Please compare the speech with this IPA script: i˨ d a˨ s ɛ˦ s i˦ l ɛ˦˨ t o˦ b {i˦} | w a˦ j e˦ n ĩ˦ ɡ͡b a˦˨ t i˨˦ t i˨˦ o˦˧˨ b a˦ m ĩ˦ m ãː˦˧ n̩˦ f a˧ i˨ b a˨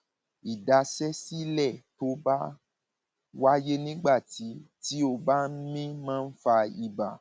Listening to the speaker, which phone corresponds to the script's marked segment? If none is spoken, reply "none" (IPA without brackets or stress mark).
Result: a˦